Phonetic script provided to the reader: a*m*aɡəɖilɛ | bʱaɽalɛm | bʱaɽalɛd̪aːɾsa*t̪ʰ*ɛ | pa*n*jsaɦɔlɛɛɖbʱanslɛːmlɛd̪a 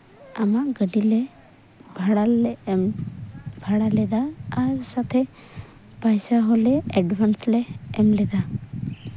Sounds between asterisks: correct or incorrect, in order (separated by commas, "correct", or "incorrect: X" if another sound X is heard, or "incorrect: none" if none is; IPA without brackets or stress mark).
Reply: correct, correct, incorrect: none